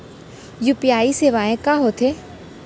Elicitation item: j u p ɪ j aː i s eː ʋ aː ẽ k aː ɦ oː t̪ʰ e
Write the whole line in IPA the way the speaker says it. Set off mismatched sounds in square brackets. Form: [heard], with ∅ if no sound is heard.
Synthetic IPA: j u p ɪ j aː i s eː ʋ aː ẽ k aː ɦ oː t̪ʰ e